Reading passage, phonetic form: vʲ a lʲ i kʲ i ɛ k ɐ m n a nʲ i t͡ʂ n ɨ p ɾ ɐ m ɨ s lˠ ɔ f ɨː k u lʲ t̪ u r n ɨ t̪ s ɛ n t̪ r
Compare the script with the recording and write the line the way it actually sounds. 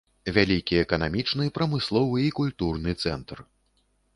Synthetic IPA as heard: vʲ a lʲ i kʲ i ɛ k ɐ n a mʲ i t͡ʂ n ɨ p ɾ ɐ m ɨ s lˠ ɔ v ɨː k u lʲ t̪ u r n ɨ t̪ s ɛ n t̪ r